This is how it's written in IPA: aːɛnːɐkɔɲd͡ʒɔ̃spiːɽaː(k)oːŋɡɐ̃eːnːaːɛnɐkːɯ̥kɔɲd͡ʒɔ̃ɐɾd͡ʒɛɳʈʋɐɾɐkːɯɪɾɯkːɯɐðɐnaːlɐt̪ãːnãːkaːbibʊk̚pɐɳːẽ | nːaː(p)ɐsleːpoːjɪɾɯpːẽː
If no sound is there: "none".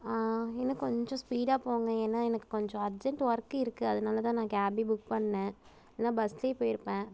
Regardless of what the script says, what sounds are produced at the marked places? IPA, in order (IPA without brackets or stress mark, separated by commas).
p, b